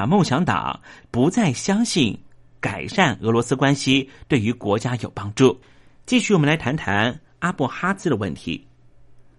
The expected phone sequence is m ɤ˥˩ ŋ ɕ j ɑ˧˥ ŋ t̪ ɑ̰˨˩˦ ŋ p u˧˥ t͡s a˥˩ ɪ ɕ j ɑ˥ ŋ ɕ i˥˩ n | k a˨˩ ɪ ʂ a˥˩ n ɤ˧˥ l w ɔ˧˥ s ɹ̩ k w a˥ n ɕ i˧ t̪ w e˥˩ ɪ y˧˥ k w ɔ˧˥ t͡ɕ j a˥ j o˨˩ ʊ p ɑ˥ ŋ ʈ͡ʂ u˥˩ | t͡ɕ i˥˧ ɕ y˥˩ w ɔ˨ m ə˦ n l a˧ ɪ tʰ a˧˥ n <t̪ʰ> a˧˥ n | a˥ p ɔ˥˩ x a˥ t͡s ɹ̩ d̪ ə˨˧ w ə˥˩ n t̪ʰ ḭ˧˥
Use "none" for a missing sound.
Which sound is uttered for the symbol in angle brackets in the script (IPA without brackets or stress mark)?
t̪ʰ